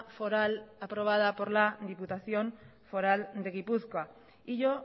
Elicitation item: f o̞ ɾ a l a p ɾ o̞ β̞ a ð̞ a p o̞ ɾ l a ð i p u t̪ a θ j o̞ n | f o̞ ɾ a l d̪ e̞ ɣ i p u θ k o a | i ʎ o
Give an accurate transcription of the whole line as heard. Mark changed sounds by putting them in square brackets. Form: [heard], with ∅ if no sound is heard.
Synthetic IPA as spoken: f o̞ ɾ a l a p ɾ o̞ β̞ a ð̞ a p o̞ ɾ l a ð i p u t̪ a θ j o̞ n | f o̞ ɾ a l d̪ e̞ ɣ i p u θ k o a | i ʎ o